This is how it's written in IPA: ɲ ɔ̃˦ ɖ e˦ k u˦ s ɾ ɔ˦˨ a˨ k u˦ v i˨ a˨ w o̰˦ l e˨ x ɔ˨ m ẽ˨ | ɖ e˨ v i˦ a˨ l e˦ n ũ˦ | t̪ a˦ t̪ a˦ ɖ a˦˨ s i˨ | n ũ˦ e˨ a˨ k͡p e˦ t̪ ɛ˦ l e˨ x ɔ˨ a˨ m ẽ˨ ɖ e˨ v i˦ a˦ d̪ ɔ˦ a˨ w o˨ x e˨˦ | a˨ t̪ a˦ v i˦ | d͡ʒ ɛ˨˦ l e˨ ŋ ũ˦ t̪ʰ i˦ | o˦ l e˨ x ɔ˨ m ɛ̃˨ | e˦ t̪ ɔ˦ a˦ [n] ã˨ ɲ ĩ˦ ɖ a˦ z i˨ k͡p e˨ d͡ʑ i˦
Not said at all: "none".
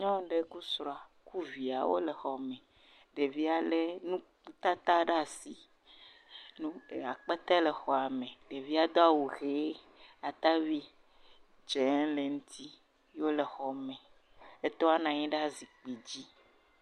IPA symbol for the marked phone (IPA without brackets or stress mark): n